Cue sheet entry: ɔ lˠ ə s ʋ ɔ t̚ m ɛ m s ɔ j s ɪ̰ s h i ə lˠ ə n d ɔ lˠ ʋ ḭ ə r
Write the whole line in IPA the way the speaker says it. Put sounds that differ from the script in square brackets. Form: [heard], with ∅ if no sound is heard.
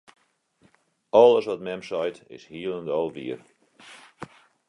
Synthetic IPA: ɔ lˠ ə s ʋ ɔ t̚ m ɛ m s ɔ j [t] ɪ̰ s h i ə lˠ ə n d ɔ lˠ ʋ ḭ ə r